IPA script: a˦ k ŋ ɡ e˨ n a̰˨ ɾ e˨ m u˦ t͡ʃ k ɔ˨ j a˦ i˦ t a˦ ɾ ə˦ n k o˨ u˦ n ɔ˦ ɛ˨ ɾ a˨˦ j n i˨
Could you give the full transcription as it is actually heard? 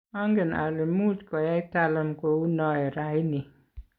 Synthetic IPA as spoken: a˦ ŋ ɡ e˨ n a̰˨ l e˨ m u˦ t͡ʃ k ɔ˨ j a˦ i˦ t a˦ l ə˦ m k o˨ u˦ n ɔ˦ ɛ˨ ɾ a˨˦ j n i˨